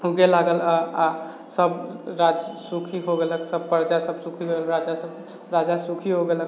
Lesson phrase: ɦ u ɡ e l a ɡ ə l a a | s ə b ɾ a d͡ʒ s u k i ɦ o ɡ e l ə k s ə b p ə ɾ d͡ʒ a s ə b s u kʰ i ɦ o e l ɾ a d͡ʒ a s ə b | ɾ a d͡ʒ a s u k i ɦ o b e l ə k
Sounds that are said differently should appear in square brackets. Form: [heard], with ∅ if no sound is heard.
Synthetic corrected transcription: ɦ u ɡ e l a ɡ ə l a a | s ə b ɾ a d͡ʒ s u [kʰ] i ɦ o ɡ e l ə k s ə b p ə ɾ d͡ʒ a s ə b s u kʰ i ɦ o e l ɾ a d͡ʒ a s ə b | ɾ a d͡ʒ a s u [kʰ] i ɦ o [ɡ] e l ə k